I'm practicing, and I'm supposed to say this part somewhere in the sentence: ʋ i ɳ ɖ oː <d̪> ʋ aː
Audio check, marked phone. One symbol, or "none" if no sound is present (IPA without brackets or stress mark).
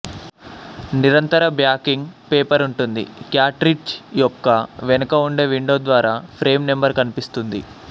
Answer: d̪